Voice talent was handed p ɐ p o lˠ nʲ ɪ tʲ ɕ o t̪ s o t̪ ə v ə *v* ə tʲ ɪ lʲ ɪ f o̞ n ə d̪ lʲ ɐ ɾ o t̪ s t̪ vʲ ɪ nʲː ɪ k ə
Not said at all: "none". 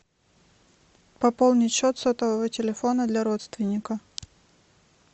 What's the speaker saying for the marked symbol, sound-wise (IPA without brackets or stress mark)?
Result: v